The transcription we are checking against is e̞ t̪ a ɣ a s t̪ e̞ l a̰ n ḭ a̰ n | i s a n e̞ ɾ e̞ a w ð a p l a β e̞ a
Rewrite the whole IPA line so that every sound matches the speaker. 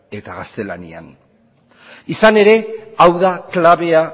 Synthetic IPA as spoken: e̞ t̪ a ɣ a s t̪ e̞ l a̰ n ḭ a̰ n | i s a n e̞ ɾ e̞ a w ð a k l a β e̞ a